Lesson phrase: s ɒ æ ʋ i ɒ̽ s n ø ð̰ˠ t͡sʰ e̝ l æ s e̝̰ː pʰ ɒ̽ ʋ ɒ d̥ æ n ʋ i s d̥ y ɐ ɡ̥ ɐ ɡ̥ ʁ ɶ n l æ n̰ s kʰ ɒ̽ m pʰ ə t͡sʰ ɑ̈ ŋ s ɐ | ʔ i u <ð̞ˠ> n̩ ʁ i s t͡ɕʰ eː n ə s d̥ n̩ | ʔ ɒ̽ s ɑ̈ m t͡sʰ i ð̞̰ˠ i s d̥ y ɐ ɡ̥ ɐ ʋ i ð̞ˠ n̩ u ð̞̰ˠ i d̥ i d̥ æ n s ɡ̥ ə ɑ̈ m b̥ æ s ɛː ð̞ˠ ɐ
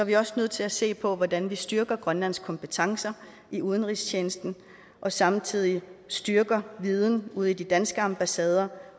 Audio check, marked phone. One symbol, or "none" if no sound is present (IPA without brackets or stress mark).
ð̞ˠ